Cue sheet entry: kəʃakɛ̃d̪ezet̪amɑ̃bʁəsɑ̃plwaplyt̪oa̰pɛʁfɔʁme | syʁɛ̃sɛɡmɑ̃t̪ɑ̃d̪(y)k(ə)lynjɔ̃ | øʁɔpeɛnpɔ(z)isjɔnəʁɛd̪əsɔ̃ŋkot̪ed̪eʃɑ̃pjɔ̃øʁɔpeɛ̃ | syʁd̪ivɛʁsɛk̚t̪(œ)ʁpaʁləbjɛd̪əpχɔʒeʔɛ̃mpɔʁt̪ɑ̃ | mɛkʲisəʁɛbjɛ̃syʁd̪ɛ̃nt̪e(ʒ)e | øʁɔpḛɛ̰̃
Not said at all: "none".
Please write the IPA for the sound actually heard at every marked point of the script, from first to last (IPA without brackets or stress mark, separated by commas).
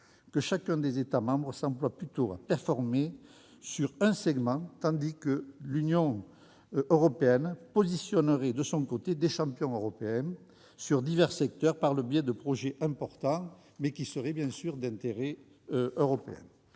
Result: i, ə, z, œ, ʁ